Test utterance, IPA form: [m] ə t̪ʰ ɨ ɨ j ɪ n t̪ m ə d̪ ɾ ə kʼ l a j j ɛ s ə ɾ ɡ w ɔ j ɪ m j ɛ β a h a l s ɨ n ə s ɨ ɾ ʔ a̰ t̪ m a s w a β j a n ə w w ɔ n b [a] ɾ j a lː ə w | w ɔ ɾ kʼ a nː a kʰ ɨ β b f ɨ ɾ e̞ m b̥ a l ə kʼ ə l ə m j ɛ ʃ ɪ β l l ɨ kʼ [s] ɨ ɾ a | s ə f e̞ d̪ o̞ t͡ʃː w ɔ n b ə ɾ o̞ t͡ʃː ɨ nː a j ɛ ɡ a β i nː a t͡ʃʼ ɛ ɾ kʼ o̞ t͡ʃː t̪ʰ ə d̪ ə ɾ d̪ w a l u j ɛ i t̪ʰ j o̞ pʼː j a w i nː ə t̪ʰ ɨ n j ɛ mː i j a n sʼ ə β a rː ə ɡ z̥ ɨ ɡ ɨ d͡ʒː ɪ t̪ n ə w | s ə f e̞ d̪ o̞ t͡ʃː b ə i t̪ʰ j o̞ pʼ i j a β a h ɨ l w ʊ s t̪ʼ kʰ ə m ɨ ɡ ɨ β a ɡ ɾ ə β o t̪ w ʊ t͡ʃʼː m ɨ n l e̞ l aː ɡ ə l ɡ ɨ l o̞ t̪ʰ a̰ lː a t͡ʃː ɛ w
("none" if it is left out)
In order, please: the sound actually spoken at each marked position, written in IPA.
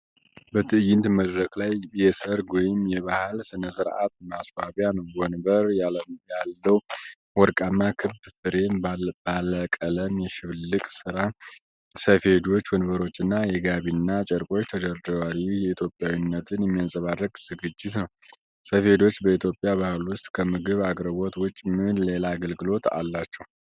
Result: b, ə, s

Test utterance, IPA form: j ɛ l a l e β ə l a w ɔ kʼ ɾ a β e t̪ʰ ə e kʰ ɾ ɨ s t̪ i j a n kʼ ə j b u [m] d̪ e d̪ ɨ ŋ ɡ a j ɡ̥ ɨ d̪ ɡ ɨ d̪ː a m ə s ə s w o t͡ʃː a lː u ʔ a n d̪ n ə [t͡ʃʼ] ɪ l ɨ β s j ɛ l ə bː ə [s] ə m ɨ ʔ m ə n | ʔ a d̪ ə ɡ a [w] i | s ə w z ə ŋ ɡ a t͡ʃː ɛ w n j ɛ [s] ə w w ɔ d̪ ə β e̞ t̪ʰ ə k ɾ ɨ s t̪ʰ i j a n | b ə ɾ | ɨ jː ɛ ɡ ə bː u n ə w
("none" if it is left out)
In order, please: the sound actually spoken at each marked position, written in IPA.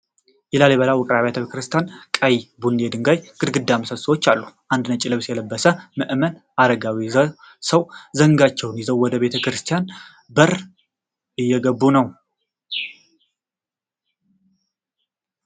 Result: n, t͡ʃʼ, s, w, z

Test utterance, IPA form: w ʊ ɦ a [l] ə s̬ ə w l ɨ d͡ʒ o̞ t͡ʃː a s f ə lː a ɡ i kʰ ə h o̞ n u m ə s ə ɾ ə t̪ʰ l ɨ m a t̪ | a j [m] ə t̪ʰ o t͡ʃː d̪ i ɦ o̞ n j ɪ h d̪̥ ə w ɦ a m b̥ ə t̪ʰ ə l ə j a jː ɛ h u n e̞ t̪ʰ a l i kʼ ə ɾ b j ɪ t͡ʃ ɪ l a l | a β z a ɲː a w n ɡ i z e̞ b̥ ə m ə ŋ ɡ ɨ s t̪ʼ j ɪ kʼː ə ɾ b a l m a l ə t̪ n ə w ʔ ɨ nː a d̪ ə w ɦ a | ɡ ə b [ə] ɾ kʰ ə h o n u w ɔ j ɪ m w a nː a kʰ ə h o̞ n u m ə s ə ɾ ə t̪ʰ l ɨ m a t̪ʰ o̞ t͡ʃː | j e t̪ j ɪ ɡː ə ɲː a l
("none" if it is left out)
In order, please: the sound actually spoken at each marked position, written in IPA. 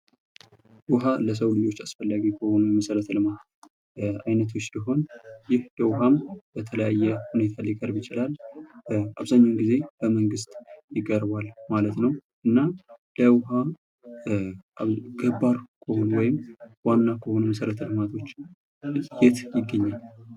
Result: l, n, a

